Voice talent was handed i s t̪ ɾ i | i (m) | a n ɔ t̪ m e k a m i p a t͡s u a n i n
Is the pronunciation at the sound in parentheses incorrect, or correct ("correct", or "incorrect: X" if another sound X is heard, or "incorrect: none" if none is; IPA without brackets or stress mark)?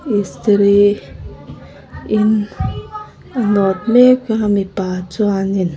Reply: incorrect: n